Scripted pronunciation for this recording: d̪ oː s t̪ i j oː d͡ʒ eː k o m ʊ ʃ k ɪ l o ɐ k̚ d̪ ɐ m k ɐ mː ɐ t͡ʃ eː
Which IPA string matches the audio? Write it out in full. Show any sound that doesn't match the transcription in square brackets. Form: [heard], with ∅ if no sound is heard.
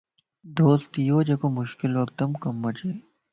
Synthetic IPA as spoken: d̪ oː s t̪ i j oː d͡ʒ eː k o m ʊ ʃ k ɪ l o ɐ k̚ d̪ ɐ m k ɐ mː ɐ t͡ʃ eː